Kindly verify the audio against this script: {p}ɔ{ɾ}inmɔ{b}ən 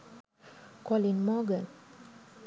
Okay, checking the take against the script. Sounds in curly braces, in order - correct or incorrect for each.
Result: incorrect, incorrect, incorrect

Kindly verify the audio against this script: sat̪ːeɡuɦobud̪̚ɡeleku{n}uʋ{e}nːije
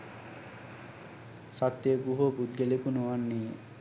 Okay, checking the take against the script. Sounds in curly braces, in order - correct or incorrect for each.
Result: correct, incorrect

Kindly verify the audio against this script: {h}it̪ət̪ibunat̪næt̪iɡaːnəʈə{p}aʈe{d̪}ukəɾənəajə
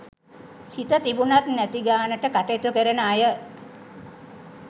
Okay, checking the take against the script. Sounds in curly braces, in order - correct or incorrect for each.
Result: incorrect, incorrect, incorrect

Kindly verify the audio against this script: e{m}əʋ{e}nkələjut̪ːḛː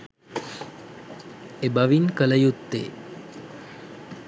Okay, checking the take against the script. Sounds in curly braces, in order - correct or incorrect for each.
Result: incorrect, incorrect

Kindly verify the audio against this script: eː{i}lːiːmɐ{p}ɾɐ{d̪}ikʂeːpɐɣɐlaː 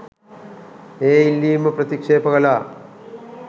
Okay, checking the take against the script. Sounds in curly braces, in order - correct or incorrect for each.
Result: correct, correct, incorrect

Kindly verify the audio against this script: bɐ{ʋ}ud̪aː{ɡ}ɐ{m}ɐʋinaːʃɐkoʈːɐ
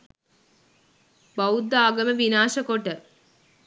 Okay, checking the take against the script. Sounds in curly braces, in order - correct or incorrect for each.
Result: incorrect, correct, correct

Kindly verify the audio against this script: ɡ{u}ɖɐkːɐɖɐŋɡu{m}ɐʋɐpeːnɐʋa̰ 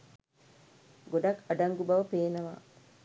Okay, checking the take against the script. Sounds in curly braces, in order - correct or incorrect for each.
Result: incorrect, incorrect

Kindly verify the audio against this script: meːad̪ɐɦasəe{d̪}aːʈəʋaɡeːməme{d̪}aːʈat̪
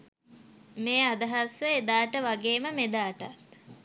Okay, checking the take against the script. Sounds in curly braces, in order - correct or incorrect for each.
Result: correct, correct

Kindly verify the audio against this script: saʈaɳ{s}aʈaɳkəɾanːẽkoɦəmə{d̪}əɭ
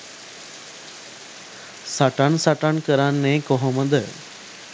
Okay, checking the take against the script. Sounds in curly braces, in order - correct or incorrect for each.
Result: correct, correct

